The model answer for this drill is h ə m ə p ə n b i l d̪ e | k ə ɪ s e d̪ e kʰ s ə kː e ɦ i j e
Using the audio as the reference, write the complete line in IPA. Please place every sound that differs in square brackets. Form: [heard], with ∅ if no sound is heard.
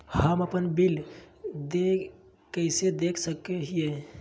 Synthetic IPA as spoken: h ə m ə p ə n b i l d̪ e | k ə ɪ s e d̪ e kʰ s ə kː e ɦ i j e